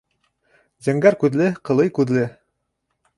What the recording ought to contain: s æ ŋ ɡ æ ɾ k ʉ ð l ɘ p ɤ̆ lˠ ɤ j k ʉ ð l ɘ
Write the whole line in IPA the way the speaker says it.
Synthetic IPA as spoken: z æ ŋ ɡ æ ɾ k ʉ ð l ɘ q ɤ̆ lˠ ɤ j k ʉ ð l ɘ